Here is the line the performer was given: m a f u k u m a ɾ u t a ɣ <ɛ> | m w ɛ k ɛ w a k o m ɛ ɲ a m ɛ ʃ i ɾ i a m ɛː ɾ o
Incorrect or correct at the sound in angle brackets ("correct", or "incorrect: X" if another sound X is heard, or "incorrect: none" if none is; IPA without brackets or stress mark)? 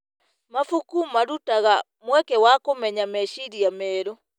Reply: incorrect: a